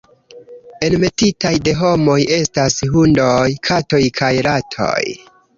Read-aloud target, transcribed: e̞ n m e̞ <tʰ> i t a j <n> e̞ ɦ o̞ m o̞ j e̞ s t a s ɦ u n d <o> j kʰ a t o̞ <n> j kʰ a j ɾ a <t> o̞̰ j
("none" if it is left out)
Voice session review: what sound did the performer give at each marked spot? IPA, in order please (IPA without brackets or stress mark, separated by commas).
t, d, o, none, tʰ